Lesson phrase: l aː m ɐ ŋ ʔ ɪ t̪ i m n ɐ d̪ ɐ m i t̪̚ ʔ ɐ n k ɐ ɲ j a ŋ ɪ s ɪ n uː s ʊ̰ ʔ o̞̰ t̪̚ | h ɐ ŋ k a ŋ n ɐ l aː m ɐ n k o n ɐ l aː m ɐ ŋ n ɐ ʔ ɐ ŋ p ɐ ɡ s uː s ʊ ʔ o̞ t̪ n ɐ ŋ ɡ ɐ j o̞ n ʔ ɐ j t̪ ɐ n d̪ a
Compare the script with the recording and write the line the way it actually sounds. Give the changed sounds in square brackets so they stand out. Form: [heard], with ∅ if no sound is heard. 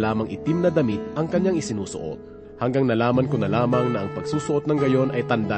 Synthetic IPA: l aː m ɐ ŋ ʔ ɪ t̪ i m n ɐ d̪ ɐ m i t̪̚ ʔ ɐ [ŋ] k ɐ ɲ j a ŋ ɪ s ɪ n uː s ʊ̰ ʔ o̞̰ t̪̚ | h ɐ ŋ [ɡ] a ŋ n ɐ l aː m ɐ n k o n ɐ l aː m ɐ ŋ n ɐ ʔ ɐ ŋ p ɐ ɡ s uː s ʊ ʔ o̞ t̪ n ɐ ŋ ɡ ɐ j o̞ n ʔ ɐ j t̪ ɐ n d̪ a